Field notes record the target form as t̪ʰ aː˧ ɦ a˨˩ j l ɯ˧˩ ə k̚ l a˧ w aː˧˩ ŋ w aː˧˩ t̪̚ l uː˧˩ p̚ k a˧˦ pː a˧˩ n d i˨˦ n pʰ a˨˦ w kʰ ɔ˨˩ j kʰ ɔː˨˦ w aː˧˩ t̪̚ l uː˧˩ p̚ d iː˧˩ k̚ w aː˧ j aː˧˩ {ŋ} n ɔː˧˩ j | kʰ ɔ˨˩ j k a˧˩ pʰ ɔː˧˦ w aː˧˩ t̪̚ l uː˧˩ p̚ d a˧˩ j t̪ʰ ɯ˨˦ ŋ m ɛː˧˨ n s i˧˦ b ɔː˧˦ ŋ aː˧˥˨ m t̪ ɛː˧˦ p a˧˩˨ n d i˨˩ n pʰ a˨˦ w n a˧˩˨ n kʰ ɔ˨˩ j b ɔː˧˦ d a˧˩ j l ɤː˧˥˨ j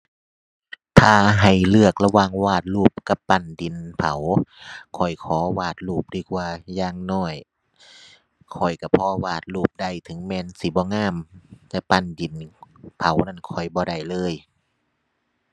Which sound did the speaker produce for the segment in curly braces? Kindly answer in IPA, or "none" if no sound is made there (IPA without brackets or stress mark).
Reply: ŋ